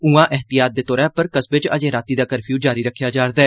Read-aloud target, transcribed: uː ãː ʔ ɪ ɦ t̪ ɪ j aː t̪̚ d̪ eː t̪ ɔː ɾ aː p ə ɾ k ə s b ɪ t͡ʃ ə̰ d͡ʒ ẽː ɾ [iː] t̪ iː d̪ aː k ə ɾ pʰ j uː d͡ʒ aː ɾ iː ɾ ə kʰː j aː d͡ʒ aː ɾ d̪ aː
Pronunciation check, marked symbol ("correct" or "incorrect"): incorrect